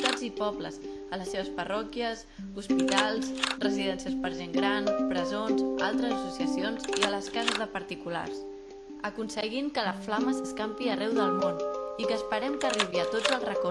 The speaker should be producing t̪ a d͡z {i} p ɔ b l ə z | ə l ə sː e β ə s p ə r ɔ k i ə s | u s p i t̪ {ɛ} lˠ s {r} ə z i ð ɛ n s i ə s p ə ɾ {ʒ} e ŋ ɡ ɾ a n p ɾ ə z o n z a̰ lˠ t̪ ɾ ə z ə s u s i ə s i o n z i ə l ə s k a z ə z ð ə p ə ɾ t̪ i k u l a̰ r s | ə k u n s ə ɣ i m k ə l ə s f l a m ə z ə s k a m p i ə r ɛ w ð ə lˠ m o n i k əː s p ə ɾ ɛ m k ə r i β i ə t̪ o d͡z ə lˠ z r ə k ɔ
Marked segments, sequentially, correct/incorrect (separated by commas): correct, incorrect, correct, correct